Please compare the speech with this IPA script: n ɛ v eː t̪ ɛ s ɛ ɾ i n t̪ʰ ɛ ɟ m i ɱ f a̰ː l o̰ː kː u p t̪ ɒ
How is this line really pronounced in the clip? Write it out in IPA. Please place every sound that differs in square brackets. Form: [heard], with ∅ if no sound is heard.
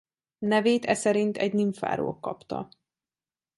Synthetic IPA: n ɛ v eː t̪ ɛ s ɛ ɾ i n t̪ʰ ɛ ɟ [n] i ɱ f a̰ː [ɾ] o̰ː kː [ɒ] p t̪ ɒ